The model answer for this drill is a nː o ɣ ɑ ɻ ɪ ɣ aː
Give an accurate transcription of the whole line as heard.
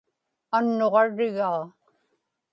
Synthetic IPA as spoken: a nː o ʁ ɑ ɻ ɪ ɣ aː